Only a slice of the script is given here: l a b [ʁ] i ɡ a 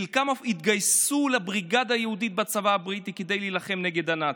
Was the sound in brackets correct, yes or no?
yes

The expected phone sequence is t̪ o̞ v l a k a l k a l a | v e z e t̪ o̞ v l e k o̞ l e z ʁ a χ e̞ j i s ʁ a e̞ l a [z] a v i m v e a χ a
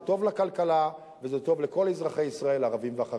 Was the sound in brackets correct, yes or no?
no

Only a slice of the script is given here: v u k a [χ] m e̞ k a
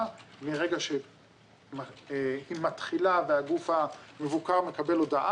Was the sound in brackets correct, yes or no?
no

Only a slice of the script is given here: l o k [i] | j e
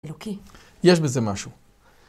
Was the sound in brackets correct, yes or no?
yes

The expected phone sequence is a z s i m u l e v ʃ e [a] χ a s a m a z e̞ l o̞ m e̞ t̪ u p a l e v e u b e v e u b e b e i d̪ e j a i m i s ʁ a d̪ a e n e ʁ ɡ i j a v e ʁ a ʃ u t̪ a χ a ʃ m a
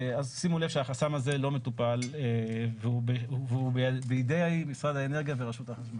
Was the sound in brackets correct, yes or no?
yes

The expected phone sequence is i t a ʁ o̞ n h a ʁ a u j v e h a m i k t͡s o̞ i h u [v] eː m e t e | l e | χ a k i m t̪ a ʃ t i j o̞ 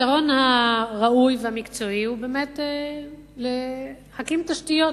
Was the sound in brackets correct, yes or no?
no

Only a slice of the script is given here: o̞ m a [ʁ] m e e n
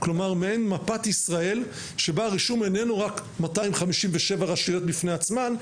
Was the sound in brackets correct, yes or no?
yes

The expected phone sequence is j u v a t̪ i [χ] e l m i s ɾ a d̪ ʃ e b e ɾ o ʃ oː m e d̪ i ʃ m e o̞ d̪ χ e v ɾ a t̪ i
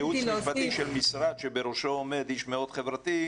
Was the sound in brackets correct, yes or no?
no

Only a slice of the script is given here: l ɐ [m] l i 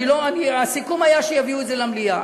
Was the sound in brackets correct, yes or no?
yes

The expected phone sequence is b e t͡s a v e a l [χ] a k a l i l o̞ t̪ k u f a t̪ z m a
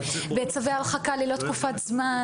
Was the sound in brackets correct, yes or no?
yes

